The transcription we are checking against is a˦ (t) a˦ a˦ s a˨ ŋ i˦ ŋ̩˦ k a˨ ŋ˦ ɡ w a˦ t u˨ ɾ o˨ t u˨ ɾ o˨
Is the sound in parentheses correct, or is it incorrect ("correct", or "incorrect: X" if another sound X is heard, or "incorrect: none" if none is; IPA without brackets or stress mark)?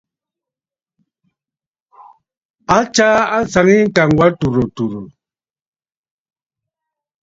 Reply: incorrect: t͡ʃ